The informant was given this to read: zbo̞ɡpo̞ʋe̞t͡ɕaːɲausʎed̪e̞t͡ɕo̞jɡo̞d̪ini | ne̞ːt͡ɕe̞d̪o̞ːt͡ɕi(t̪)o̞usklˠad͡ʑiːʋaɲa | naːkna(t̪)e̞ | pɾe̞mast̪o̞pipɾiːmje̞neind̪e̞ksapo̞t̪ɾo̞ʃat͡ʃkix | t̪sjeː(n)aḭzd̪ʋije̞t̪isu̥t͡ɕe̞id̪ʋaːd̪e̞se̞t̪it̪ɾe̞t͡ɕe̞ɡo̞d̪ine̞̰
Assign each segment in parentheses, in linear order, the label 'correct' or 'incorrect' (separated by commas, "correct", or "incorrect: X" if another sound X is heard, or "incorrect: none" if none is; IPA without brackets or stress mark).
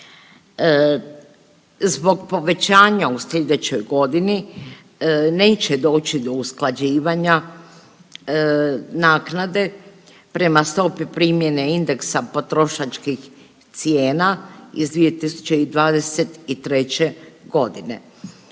incorrect: d̪, incorrect: d̪, correct